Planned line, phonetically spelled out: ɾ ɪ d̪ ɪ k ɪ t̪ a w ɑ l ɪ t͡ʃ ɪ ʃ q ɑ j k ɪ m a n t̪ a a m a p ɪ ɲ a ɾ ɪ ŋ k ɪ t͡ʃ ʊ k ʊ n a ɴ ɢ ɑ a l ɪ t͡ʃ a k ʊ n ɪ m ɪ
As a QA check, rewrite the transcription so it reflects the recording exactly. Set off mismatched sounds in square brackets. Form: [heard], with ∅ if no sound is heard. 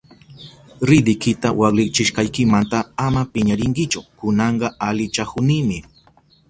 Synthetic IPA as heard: ɾ ɪ d̪ ɪ k ɪ t̪ a w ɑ l ɪ t͡ʃ ɪ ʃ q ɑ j k ɪ m a n t̪ a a m a p ɪ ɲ a ɾ ɪ ŋ k ɪ t͡ʃ ʊ k ʊ n [ɑ] ɴ ɢ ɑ a l ɪ t͡ʃ a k ʊ n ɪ m ɪ